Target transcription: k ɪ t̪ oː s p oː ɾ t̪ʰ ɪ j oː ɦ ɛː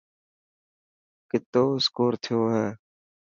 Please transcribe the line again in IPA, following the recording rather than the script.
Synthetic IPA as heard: k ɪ t̪ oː s k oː ɾ t̪ʰ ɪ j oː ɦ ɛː